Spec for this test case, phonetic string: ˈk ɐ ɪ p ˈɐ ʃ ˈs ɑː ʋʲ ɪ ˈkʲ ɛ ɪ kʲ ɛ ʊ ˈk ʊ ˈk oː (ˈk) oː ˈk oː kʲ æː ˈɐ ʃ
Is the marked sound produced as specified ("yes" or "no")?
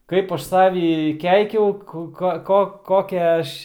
yes